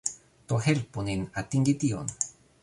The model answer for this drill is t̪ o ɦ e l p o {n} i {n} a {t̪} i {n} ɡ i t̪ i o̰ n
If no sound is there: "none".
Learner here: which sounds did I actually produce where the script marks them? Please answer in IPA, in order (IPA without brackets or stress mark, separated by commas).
n, n, t̪, ŋ